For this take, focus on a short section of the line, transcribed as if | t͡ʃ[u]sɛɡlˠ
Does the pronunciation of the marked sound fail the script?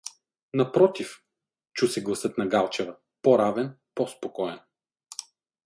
no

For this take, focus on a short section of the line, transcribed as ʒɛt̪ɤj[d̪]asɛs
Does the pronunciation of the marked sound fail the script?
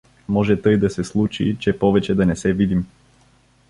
no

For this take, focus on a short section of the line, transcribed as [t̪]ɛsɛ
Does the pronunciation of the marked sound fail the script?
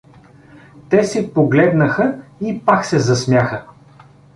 no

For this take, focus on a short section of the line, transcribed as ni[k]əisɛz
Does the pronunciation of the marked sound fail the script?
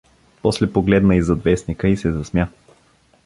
no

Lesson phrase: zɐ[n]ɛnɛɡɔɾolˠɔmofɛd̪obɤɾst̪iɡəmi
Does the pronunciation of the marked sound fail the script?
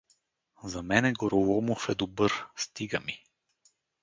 yes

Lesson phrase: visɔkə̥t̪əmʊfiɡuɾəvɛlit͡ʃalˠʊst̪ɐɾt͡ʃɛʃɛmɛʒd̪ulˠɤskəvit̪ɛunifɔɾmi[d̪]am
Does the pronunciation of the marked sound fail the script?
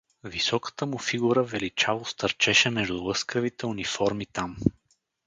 yes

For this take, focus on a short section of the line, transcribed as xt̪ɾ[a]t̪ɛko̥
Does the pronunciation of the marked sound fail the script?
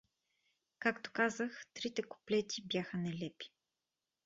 yes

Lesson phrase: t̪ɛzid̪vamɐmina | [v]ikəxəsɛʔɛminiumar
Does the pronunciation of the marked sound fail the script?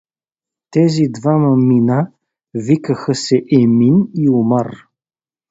no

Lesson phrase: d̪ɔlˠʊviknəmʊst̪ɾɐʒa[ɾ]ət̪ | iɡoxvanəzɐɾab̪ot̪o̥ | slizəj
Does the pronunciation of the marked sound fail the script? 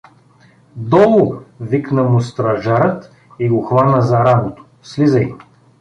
no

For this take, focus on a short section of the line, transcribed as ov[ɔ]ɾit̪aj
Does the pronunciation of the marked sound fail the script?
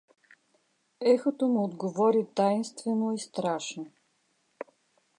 no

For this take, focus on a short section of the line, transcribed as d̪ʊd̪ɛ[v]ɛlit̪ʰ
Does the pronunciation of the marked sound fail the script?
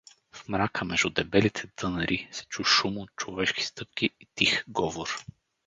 yes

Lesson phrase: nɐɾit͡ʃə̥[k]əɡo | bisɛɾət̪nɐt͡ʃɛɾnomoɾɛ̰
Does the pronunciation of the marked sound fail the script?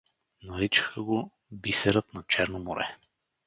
yes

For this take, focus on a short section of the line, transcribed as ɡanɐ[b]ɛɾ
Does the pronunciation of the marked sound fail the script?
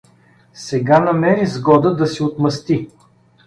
yes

